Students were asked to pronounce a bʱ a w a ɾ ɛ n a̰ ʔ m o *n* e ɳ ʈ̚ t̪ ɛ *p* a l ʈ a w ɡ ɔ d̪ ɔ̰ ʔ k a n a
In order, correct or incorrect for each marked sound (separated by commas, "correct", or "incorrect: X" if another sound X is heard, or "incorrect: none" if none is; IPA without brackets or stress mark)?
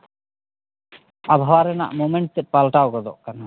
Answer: incorrect: m, correct